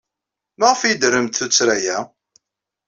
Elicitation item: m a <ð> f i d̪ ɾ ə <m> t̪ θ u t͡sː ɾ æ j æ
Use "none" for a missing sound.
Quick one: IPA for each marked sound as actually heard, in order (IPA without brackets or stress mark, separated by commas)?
ʁ, m